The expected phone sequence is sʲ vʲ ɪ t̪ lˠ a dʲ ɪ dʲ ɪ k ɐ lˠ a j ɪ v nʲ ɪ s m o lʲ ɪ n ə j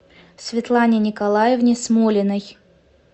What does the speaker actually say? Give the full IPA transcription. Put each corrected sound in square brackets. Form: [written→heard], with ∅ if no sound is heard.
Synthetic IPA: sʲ vʲ ɪ t̪ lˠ a [dʲ→nʲ] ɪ [dʲ→nʲ] ɪ k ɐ lˠ a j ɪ v nʲ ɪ s m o lʲ ɪ n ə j